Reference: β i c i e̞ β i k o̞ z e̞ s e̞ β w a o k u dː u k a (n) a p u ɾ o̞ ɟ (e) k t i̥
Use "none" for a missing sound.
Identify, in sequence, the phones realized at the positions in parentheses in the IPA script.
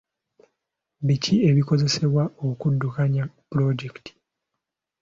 ɲ, e

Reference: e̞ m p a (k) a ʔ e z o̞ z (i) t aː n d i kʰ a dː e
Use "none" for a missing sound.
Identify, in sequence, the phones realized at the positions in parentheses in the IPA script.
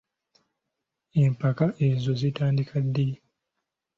k, i

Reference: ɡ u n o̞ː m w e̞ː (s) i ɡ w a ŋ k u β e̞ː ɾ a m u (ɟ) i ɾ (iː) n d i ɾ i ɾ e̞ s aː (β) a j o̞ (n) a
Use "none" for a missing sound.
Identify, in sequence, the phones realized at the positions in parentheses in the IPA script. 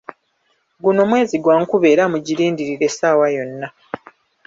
z, ɟ, iː, w, nː

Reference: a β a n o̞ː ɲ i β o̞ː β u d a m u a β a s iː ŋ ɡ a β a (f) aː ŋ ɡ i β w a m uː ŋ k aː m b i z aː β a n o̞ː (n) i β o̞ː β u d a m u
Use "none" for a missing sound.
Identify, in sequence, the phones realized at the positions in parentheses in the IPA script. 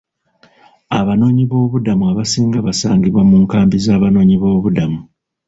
s, ɲ

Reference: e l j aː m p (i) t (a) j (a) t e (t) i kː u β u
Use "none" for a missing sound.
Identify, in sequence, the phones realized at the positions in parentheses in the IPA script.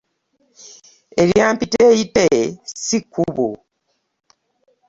i, e, i, s

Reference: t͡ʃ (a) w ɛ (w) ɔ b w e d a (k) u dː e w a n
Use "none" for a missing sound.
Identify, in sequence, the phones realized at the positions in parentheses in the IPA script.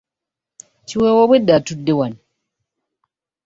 i, w, t

